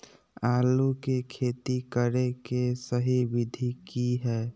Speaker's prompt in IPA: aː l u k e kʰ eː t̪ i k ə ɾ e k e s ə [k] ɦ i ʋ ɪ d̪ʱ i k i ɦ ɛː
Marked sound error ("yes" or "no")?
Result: yes